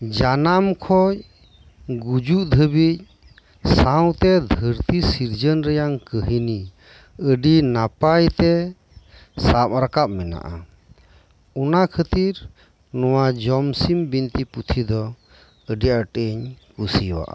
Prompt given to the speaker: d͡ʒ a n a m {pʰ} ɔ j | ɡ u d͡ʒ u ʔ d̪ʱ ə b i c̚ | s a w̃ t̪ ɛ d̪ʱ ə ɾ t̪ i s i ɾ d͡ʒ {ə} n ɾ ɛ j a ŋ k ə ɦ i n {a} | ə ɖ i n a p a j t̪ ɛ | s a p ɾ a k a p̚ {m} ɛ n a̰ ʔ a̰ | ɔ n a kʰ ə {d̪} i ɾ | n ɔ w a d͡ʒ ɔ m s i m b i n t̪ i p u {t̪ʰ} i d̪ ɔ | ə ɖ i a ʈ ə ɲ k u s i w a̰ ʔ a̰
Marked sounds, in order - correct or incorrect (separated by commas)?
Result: incorrect, correct, incorrect, correct, incorrect, correct